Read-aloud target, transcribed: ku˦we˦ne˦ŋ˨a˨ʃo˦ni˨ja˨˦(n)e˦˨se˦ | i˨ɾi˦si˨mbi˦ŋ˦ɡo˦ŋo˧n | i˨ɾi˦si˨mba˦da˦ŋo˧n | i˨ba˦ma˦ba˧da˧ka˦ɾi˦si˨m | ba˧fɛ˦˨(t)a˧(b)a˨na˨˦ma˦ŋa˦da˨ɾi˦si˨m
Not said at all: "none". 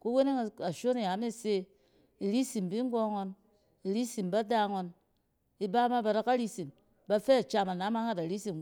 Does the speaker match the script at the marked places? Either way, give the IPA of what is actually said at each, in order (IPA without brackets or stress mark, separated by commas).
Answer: m, t͡ʃ, m